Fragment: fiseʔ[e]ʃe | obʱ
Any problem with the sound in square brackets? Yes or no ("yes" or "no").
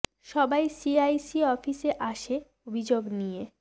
yes